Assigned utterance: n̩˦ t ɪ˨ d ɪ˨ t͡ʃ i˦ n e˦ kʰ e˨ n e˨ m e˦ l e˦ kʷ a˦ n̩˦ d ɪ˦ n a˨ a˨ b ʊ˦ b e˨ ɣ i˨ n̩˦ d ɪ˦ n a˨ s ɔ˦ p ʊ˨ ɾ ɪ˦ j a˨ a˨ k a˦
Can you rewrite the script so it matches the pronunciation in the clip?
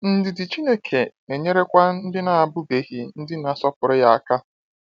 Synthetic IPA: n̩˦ d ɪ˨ d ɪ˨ t͡ʃ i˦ n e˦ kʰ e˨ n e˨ ɲ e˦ ɾ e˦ kʷ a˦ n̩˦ d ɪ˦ n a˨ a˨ b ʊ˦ b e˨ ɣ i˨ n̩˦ d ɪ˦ n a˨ s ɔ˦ p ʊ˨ ɾ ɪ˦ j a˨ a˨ k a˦